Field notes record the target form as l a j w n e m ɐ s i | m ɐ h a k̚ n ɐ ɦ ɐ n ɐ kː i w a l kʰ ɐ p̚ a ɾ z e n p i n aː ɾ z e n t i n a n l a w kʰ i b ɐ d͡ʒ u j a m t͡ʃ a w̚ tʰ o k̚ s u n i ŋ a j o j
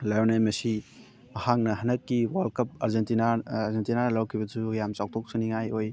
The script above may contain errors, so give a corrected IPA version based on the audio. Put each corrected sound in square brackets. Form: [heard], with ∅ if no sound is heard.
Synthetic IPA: l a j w n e m ɐ s i | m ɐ h a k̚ n ɐ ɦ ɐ n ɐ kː i w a l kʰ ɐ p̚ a ɾ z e n [t] i n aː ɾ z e n t i n a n l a w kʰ i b ɐ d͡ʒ u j a m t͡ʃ a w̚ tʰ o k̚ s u n i ŋ a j o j